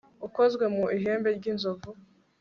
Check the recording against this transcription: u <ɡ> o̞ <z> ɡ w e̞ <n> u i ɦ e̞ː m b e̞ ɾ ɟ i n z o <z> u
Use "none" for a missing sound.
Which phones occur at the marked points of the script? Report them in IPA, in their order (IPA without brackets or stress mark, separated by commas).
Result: k, z, m, v